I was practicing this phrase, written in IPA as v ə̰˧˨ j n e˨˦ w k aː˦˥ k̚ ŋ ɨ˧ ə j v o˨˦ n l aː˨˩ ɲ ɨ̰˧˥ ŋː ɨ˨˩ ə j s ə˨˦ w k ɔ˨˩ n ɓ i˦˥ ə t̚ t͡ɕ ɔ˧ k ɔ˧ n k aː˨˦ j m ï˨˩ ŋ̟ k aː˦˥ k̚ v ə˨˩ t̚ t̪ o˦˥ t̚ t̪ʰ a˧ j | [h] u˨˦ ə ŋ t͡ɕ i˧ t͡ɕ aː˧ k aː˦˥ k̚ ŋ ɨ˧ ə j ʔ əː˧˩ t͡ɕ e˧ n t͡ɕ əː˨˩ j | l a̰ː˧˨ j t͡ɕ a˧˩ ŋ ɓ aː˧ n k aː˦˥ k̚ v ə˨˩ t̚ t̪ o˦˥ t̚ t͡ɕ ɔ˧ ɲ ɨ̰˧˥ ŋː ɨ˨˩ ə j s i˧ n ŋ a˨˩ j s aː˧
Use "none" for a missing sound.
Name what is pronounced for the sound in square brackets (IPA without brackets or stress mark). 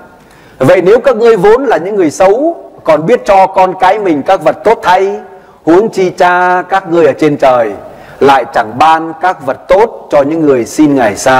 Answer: h